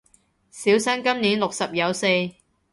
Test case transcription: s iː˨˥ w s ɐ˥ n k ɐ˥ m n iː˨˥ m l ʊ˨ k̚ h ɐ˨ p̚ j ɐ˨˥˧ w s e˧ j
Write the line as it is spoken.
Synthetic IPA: s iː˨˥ w s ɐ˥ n k ɐ˥ m n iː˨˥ n l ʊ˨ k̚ s ɐ˨ p̚ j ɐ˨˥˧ w s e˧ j